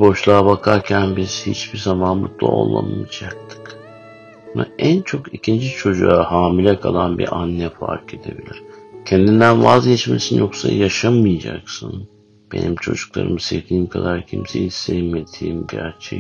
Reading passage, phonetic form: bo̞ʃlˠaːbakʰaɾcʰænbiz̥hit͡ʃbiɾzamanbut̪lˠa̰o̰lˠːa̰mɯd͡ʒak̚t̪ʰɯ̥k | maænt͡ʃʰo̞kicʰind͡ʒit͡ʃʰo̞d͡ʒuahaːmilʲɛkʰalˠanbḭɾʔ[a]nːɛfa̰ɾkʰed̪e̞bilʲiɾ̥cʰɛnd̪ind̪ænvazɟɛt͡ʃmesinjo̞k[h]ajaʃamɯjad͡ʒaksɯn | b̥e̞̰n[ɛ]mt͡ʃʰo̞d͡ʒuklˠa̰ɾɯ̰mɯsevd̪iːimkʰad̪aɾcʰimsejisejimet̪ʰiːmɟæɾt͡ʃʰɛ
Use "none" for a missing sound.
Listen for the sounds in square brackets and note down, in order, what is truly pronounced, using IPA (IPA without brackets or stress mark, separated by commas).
a, s, i